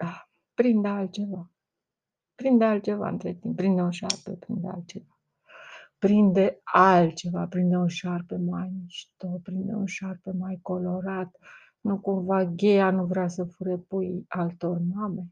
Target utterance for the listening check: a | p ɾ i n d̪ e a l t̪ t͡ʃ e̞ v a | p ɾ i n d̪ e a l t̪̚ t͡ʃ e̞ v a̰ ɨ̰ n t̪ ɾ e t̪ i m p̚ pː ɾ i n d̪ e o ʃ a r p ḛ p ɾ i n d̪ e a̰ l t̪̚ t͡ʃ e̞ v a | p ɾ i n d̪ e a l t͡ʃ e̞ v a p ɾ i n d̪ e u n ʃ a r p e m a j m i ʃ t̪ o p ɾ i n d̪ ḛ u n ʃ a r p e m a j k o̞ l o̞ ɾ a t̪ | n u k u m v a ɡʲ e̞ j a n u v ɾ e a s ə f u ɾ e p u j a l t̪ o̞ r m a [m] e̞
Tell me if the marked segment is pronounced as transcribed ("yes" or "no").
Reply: yes